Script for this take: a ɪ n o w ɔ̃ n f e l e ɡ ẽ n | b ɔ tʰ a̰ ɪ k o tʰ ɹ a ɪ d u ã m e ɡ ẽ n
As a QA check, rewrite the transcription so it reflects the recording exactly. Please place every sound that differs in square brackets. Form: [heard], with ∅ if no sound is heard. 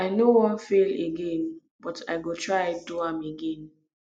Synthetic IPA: a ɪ n o w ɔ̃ n f e l e ɡ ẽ n | b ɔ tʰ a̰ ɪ [ɡ] o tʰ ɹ a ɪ d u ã m e ɡ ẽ n